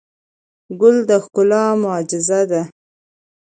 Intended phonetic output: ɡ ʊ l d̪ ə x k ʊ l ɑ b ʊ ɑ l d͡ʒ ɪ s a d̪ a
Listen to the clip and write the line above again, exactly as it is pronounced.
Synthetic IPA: ɡ ʊ l d̪ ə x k ʊ l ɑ m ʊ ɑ d͡ʒ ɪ z a d̪ a